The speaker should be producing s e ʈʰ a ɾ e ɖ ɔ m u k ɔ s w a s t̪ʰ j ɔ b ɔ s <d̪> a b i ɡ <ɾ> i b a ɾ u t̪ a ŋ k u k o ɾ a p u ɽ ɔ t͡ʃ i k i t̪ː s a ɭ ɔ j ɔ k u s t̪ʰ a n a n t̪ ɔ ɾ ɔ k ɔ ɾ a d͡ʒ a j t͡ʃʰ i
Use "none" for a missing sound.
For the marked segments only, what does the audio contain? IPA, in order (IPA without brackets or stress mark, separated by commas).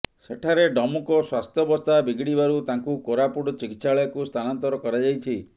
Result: t̪, ɽ